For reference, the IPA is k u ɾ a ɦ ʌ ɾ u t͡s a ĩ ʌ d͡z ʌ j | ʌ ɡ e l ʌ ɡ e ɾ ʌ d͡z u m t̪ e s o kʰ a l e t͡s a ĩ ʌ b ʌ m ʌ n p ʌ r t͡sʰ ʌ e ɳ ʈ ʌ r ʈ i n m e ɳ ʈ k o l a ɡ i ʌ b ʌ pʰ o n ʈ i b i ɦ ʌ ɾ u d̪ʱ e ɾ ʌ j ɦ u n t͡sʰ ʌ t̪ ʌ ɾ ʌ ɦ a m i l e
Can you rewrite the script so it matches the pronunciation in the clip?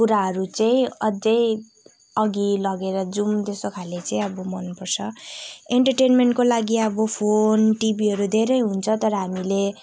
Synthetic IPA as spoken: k u ɾ a ɦ ʌ ɾ u t͡s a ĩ ʌ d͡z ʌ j | ʌ ɡ i l ʌ ɡ e ɾ ʌ d͡z u m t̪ e s o kʰ a l e t͡s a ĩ ʌ b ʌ m ʌ n p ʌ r t͡sʰ ʌ e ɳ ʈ ʌ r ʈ e n m e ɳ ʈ k o l a ɡ i ʌ b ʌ pʰ o n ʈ i b i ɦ ʌ ɾ u d̪ʱ e ɾ ʌ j ɦ u n t͡sʰ ʌ t̪ ʌ ɾ ʌ ɦ a m i l e